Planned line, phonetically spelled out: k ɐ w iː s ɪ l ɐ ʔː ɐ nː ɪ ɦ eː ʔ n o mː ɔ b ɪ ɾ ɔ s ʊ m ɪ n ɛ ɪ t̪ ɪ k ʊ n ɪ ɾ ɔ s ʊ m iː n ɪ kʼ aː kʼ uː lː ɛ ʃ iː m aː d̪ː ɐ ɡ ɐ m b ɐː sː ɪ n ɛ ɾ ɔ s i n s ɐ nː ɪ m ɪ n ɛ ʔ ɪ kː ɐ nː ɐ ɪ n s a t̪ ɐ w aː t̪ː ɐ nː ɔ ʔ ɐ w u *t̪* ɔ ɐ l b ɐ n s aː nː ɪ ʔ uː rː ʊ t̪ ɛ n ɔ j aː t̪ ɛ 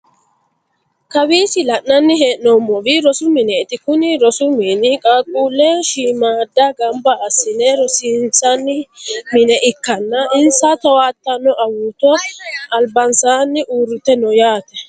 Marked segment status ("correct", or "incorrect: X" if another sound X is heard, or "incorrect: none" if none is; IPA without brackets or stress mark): correct